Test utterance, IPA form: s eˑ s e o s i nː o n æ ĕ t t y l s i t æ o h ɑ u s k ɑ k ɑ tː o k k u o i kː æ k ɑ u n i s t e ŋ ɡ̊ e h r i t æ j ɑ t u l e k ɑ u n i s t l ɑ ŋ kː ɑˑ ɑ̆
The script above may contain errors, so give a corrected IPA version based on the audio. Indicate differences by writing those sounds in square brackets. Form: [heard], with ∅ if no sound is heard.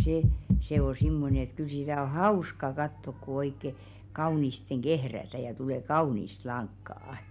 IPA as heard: s eˑ s e o s i [mː] o n [e] ĕ t [k] y l s i t æ o h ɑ u s k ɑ k ɑ tː o k k u o i kː [e] k ɑ u n i s t e ŋ ɡ̊ e h r [æ] t æ j ɑ t u l e k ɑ u n i s t l ɑ ŋ kː ɑˑ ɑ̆